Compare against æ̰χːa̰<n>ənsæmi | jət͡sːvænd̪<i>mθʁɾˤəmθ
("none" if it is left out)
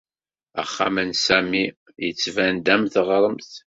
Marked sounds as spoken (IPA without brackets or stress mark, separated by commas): m, æ